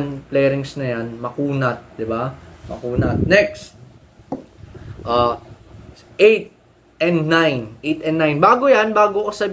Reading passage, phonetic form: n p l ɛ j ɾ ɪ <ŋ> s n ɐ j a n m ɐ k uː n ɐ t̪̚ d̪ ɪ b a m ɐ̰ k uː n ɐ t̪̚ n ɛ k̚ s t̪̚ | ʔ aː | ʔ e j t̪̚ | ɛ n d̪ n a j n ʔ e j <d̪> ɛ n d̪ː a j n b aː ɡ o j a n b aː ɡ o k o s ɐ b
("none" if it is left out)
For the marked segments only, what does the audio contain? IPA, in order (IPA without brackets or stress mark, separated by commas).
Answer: ŋ, t̪